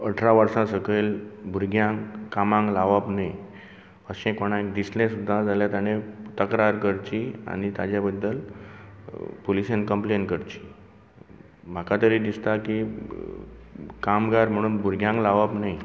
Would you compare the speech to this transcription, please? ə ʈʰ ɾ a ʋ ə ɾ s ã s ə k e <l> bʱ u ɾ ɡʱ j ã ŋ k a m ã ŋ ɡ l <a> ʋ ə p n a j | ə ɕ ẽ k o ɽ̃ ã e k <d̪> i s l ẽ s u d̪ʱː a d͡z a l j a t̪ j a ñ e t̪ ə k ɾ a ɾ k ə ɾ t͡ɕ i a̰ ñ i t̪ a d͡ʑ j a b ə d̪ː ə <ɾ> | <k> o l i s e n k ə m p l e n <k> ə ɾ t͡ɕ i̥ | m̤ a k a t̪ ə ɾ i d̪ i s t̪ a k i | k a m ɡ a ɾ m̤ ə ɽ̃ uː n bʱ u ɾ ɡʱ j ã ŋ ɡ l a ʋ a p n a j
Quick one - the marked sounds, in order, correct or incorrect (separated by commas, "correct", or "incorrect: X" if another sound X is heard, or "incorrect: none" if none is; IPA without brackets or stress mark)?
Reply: correct, correct, correct, incorrect: l, incorrect: p, correct